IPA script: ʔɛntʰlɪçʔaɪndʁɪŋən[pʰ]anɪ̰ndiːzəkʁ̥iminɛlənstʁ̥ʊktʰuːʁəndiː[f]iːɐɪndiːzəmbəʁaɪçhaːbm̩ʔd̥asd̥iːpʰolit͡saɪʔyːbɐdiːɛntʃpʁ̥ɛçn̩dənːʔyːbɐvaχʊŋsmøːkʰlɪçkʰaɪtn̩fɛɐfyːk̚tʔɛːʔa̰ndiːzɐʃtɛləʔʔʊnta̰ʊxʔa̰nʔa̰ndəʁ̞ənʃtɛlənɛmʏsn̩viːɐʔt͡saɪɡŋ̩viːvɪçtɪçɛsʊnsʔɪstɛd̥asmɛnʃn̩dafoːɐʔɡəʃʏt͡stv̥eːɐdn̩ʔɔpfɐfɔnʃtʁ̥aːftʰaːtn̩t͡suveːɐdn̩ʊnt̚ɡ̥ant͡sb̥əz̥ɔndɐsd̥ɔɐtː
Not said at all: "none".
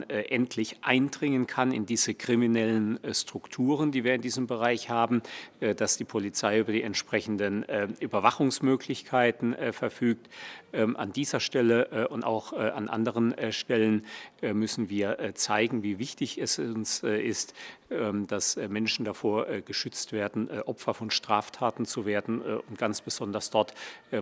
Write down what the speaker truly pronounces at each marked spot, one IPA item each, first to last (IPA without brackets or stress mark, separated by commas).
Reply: kʰ, v